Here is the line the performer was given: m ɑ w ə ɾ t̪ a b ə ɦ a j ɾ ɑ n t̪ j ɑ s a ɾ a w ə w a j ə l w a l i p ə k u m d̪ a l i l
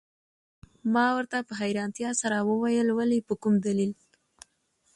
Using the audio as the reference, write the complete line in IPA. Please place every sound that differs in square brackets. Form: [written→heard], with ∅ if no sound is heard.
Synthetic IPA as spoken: m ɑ w ə ɾ t̪ a [b→p] ə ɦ a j ɾ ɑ n t̪ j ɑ s a ɾ a w ə w a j ə l w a l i p ə k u m d̪ a l i l